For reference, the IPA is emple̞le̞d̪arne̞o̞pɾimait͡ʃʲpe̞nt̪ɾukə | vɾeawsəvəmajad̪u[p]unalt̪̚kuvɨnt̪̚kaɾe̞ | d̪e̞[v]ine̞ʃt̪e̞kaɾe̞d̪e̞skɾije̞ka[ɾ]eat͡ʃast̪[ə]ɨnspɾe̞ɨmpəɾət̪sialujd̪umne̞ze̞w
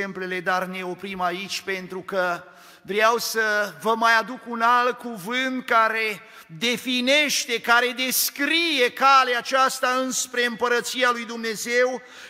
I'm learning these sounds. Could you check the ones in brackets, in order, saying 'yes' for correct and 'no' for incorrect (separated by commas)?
no, no, no, no